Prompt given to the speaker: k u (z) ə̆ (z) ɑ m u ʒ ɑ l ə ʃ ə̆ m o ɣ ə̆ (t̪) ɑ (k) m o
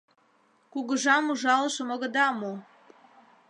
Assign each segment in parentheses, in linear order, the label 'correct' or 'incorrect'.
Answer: incorrect, incorrect, incorrect, incorrect

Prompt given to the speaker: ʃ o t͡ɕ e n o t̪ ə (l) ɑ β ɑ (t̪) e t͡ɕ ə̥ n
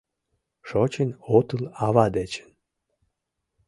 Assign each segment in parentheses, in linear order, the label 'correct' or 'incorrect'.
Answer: correct, incorrect

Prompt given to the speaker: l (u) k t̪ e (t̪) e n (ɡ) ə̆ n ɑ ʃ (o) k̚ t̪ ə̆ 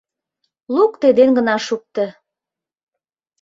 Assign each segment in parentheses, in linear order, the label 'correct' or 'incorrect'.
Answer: correct, incorrect, correct, incorrect

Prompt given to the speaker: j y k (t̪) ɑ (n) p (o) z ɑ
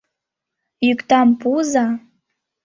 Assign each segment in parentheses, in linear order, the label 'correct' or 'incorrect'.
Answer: correct, incorrect, incorrect

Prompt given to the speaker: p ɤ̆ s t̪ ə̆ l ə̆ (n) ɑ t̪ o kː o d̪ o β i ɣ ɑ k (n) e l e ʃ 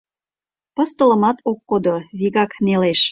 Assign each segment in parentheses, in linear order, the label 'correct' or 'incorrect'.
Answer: incorrect, correct

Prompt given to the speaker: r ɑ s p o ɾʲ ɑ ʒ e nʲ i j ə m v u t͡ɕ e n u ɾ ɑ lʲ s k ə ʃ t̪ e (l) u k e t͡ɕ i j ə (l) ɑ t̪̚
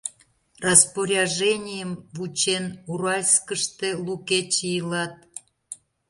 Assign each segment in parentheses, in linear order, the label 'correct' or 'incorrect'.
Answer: correct, correct

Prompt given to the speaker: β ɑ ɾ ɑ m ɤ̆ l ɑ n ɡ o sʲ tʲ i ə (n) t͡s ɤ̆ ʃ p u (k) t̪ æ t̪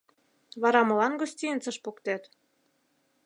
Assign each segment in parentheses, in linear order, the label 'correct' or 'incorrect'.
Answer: correct, correct

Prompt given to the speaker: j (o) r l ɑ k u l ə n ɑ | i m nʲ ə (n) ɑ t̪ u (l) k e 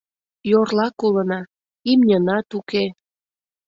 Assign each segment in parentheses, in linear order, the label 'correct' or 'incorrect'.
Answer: correct, correct, incorrect

